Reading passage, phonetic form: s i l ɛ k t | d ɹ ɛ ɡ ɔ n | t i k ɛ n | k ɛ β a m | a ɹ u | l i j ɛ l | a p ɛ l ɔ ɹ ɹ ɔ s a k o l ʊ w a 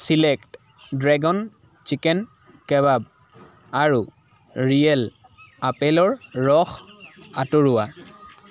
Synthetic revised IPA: s i l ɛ k t | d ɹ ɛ ɡ ɔ n | t͡ʃ i k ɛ n | k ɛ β a b | a ɹ u | ɹ i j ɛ l | a p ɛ l ɔ ɹ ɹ ɔ x a t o ɹ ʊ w a